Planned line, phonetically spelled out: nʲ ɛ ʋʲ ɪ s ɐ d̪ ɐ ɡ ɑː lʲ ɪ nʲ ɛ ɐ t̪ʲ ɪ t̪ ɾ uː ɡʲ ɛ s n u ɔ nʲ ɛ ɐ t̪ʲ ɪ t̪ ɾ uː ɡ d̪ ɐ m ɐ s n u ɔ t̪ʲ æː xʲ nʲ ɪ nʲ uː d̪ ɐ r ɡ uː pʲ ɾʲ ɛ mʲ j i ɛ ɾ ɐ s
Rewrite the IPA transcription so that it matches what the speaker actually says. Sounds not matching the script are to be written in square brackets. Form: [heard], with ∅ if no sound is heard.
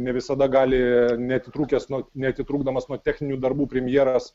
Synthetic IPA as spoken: nʲ ɛ ʋʲ ɪ s ɐ d̪ ɐ ɡ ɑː lʲ ɪ nʲ ɛ ɐ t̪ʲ ɪ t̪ ɾ uː [kʲ] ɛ s n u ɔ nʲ ɛ ɐ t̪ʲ ɪ t̪ ɾ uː ɡ d̪ ɐ m ɐ s n u ɔ t̪ʲ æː xʲ nʲ ɪ nʲ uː d̪ ɐ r [b] uː pʲ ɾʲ ɛ mʲ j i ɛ ɾ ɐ s